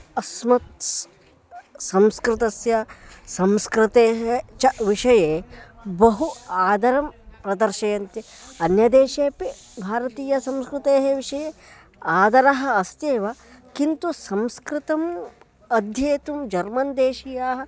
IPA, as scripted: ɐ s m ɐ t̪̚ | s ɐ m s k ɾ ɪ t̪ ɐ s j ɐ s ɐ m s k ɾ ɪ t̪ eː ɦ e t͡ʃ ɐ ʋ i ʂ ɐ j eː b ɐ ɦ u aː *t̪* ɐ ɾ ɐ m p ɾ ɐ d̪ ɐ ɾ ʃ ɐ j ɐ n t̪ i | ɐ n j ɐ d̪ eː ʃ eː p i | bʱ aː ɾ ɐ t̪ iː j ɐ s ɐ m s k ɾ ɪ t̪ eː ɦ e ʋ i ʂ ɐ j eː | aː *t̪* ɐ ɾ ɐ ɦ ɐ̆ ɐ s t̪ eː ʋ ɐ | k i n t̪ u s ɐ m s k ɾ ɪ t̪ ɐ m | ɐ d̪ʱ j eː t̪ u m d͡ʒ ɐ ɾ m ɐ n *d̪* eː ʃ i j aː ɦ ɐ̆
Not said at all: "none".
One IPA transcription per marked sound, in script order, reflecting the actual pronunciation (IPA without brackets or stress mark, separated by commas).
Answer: d̪, d̪, d̪